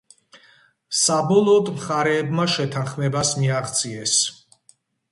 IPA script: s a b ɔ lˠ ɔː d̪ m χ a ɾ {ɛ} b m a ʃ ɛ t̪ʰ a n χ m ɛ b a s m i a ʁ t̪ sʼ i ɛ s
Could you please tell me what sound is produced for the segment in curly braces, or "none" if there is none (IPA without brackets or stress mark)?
ɛː